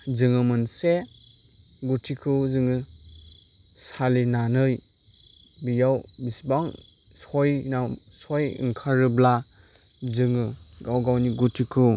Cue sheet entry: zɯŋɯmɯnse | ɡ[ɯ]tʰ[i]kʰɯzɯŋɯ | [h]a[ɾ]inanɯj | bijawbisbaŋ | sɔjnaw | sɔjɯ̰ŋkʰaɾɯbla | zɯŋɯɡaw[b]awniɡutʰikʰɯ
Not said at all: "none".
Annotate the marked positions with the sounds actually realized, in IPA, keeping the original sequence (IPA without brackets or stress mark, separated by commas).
u, i, s, l, ɡ